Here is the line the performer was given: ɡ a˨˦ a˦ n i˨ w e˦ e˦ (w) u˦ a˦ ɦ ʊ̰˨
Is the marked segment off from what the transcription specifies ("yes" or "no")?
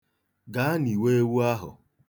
no